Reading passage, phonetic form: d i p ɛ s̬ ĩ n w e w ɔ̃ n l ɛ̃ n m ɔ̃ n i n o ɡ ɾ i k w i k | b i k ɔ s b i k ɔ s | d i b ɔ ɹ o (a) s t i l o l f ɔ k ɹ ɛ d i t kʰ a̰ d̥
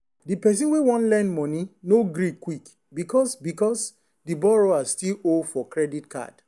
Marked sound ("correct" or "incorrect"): correct